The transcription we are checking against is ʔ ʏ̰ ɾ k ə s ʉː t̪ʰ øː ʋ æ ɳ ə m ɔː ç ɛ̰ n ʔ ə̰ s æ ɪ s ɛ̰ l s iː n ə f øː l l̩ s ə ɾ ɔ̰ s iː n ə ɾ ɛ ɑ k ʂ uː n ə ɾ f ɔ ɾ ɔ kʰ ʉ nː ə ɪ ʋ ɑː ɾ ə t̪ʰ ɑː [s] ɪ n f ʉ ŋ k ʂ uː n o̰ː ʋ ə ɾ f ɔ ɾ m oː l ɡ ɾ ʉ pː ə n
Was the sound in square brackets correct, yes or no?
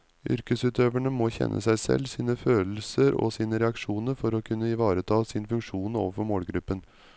yes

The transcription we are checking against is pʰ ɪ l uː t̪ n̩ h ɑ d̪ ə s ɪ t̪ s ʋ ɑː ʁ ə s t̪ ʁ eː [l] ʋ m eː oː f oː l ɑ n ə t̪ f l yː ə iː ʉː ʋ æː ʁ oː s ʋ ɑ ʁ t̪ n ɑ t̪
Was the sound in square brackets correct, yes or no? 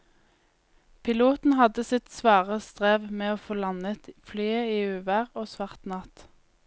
no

